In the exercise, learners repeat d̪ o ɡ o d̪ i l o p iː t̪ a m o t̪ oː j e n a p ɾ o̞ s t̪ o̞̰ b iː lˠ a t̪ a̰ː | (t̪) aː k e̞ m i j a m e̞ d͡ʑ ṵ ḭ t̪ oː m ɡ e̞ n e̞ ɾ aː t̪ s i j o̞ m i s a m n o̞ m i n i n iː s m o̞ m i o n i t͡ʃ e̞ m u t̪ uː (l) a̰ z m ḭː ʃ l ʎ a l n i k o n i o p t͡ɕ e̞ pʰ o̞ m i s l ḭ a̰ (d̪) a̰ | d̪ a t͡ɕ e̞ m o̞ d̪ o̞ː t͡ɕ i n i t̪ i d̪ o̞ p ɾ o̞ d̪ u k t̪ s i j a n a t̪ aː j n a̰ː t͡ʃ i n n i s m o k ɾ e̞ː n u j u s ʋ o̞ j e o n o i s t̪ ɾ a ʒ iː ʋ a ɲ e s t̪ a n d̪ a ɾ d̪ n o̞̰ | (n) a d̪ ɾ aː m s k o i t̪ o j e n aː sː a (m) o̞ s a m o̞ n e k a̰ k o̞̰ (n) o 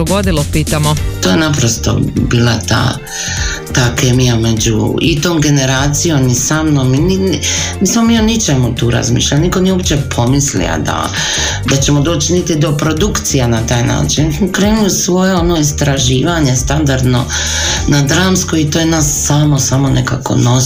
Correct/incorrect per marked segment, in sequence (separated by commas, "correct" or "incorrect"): correct, incorrect, correct, correct, correct, correct